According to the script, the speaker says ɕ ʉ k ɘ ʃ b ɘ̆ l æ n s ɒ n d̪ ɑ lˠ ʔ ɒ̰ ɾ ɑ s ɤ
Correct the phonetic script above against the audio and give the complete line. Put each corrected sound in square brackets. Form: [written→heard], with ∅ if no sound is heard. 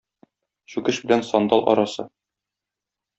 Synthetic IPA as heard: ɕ ʉ k ɘ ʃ b ɘ̆ l æ n s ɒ n d̪ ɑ lˠ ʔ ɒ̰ ɾ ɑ s ɤ

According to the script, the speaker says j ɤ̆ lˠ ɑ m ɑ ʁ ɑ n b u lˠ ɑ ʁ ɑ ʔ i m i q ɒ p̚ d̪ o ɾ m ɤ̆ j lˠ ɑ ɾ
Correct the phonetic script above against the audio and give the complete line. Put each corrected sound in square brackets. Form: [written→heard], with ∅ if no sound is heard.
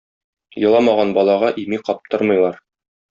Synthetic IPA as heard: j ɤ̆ lˠ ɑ m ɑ ʁ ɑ n b [u→ɒ] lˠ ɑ ʁ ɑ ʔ i m i q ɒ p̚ [d̪→t̪] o ɾ m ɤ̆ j lˠ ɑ ɾ

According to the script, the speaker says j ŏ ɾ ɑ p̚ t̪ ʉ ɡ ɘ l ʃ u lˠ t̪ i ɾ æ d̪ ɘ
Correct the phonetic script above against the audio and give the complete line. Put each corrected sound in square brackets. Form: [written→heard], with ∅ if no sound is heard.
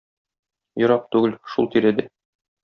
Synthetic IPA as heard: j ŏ ɾ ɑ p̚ t̪ ʉ ɡ ɘ l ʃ u lˠ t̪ i ɾ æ d̪ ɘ

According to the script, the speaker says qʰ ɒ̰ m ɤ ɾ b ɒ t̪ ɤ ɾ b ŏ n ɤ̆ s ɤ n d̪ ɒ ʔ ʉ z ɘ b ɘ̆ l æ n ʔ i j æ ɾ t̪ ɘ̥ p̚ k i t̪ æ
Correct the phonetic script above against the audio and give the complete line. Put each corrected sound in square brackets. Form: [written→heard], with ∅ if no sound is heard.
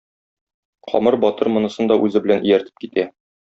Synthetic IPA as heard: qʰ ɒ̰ m ɤ ɾ b ɒ t̪ ɤ ɾ [b→m] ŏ n ɤ̆ s ɤ n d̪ ɒ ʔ ʉ z ɘ b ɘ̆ l æ n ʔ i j æ ɾ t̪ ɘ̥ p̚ k i t̪ æ

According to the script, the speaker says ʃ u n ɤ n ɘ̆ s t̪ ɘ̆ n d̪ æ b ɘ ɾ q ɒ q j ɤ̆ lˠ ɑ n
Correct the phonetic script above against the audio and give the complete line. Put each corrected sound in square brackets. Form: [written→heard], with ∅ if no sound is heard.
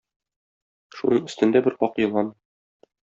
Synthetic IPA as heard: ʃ u n ɤ [n→ɴ] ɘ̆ s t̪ ɘ̆ n d̪ æ b ɘ ɾ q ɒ q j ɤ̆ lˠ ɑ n

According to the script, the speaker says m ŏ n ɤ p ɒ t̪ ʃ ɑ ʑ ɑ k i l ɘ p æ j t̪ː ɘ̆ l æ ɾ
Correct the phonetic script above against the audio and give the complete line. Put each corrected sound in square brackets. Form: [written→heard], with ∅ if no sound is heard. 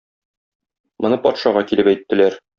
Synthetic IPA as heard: m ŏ n ɤ p ɒ t̪ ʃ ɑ [ʑ→ʁ] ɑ k i l ɘ p æ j t̪ː ɘ̆ l æ ɾ

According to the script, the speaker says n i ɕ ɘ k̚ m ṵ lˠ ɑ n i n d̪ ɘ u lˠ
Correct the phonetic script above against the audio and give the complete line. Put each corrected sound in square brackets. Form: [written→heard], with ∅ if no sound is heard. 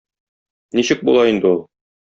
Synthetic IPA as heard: n i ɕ ɘ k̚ [m→b] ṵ lˠ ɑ [n→∅] i n d̪ ɘ u lˠ

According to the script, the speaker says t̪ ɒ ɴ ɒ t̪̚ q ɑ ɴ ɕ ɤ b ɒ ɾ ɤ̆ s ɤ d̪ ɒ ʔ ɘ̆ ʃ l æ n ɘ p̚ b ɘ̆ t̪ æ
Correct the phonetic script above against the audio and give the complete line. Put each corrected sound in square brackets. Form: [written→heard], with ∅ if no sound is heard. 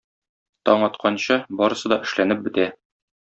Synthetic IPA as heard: t̪ ɒ ɴ ɒ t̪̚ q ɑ [ɴ→n] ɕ ɤ b ɒ ɾ ɤ̆ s ɤ d̪ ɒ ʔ ɘ̆ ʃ l æ n ɘ p̚ b ɘ̆ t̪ æ

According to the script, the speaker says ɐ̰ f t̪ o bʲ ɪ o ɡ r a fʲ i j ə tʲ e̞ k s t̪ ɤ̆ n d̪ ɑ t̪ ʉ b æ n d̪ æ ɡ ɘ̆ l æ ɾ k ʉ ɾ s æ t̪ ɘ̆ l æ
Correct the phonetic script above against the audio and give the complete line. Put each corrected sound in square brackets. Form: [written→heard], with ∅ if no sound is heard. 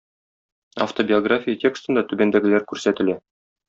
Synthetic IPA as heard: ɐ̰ f t̪ o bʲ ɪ o ɡ r a fʲ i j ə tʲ e̞ k s t̪ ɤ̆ n d̪ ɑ t̪ ʉ b æ n d̪ æ ɡ ɘ̆ l æ ɾ k ʉ ɾ s æ t̪ ɘ̆ l æ

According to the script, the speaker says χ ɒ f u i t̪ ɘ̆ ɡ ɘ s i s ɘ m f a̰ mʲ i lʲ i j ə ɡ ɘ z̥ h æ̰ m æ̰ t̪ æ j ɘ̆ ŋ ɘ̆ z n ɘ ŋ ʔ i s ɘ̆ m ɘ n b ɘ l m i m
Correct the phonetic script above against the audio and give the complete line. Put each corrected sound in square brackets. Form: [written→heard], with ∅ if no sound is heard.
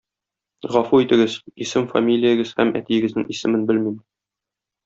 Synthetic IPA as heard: [χ→ʁ] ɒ f u i t̪ ɘ̆ ɡ ɘ [s→z] i s ɘ m f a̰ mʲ i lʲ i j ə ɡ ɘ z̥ h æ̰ m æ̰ t̪ [æ→i] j ɘ̆ [ŋ→ɡ] ɘ̆ z n ɘ ŋ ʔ i s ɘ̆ m ɘ n b ɘ l m i m

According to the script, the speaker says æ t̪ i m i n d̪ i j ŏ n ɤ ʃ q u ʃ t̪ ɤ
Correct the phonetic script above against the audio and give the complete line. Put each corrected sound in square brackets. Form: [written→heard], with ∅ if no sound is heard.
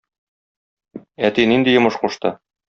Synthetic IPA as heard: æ t̪ i [m→n] i n d̪ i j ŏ [n→m] ɤ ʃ q u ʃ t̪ ɤ

